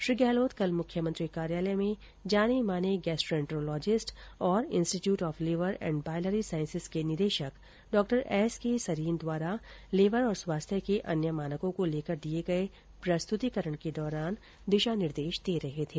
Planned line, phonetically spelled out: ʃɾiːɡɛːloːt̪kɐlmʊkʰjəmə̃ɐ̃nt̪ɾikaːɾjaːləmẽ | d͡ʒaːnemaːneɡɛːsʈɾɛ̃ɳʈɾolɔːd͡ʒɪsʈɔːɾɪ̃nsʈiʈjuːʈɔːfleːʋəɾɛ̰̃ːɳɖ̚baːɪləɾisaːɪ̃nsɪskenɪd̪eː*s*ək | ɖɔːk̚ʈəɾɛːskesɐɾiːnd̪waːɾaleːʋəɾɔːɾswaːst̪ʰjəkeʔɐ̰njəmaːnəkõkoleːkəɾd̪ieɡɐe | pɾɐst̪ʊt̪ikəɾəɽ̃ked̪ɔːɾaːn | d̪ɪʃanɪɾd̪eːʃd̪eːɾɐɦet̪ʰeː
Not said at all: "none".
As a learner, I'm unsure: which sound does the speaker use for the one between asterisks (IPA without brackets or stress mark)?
ʃ